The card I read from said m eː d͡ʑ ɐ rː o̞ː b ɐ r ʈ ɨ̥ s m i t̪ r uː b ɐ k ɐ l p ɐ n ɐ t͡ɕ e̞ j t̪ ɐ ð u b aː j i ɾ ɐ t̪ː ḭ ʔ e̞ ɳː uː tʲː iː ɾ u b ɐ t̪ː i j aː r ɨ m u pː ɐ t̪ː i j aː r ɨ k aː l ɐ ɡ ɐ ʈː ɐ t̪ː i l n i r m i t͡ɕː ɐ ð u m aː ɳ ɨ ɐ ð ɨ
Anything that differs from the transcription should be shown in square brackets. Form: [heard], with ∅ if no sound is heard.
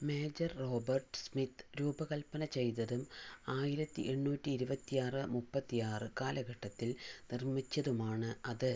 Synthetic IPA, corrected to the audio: m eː d͡ʑ ɐ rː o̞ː b ɐ r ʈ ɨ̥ s m i t̪ [ɾ] uː b ɐ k ɐ l p ɐ n ɐ t͡ɕ e̞ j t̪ ɐ ð u [m] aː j i ɾ ɐ t̪ː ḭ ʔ e̞ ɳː uː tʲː iː ɾ u b ɐ t̪ː i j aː r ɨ m u pː ɐ t̪ː i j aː r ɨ k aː l ɐ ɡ ɐ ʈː ɐ t̪ː i l n i r m i t͡ɕː ɐ ð u m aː ɳ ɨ ɐ ð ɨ